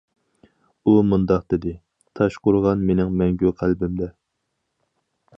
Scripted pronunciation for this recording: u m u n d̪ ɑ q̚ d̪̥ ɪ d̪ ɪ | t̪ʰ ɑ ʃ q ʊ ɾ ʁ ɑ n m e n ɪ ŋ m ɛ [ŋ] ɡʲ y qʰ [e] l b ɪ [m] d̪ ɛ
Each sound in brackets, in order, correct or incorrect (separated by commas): correct, incorrect, correct